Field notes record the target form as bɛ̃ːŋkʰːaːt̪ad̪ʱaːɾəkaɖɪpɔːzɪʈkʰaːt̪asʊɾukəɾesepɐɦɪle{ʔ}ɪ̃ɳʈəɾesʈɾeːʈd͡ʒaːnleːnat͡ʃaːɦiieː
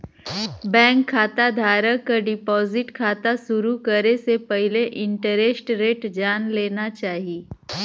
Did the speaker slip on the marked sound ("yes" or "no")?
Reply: no